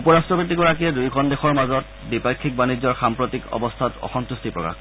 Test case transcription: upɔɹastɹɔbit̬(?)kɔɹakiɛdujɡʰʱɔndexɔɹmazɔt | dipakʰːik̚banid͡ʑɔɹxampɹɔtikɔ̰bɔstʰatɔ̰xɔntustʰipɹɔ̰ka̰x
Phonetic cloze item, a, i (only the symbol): i